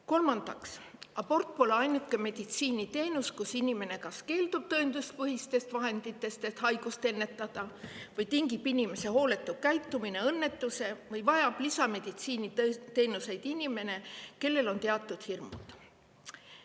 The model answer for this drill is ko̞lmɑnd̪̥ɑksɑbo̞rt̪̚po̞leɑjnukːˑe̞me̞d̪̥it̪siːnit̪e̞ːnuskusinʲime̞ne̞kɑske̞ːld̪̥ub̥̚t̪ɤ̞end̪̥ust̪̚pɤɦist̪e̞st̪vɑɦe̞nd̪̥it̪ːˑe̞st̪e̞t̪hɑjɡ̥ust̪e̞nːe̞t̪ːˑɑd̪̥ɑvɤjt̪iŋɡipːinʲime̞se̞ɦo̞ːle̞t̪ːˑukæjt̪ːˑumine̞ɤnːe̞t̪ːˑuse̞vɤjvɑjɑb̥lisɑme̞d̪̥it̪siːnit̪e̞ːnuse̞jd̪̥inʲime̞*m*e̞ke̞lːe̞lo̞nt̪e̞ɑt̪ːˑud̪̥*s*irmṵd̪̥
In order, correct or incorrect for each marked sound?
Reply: incorrect: n, incorrect: h

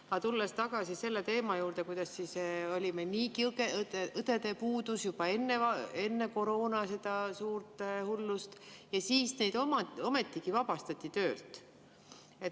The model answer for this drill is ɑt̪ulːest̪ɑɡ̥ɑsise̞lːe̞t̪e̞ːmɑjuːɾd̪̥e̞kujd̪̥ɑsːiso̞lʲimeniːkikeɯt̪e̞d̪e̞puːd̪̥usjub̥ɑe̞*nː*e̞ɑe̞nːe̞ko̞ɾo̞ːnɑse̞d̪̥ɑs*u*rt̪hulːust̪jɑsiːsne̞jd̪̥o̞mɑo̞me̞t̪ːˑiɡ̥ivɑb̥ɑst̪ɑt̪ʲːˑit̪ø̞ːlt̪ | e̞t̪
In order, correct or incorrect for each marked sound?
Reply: correct, incorrect: uː

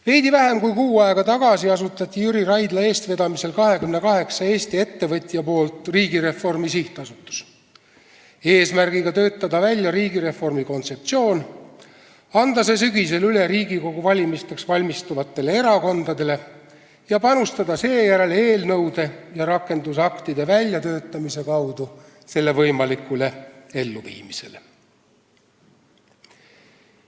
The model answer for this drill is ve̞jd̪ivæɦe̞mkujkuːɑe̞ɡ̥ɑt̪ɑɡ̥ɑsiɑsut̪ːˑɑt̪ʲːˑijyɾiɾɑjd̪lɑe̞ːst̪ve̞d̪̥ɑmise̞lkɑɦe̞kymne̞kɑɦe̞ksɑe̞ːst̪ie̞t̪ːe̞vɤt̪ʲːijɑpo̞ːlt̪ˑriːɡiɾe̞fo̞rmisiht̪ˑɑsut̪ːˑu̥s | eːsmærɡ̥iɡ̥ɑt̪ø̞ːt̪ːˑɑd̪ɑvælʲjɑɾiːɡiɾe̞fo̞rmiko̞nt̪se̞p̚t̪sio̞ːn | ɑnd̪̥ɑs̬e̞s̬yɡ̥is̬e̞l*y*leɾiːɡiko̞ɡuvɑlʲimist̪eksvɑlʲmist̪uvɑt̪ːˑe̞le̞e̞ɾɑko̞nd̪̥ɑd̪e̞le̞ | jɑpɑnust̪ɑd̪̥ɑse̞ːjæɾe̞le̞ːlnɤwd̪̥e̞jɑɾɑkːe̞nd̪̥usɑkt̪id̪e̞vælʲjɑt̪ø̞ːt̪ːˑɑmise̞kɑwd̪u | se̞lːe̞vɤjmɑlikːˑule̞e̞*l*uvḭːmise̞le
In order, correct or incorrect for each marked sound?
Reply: correct, incorrect: lː

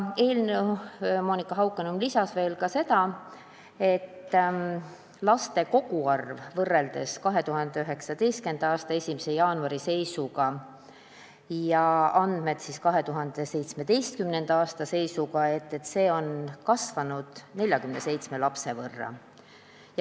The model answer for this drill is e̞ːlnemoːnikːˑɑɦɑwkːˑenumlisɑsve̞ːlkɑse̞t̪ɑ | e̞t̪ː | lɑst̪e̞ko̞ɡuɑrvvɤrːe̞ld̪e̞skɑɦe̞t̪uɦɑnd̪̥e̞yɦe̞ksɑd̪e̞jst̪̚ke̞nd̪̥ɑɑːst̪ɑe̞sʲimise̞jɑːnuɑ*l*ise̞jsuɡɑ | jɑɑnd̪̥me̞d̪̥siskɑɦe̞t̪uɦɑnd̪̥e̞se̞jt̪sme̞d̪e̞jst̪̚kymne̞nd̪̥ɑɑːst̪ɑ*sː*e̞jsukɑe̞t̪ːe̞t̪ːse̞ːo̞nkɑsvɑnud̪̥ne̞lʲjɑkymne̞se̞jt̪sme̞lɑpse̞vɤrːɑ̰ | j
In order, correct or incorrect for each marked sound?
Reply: incorrect: ɾ, incorrect: s

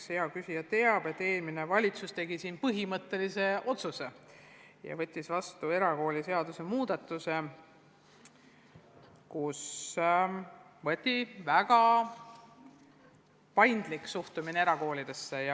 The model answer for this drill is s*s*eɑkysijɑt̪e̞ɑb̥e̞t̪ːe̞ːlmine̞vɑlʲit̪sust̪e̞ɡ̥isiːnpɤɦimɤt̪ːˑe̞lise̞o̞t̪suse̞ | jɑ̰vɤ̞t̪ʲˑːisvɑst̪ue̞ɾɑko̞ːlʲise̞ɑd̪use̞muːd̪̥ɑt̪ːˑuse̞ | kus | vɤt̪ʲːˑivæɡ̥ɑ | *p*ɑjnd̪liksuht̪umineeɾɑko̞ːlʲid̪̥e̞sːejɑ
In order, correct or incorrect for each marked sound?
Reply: incorrect: h, correct

